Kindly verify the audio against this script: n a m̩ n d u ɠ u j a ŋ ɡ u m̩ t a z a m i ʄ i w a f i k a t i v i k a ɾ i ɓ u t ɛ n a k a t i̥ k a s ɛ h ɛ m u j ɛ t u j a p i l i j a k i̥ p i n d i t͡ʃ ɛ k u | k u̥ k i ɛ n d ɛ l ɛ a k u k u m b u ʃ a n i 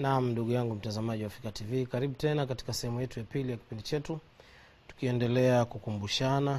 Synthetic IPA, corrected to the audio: n a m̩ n d u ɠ u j a ŋ ɡ u m̩ t a z a m a ʄ i w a f i k a t i v i k a ɾ i ɓ u t ɛ n a k a t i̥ k a s ɛ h ɛ m u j ɛ t u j a p i l i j a k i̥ p i n d i t͡ʃ ɛ t u | t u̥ k i ɛ n d ɛ l ɛ a k u k u m b u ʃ a n a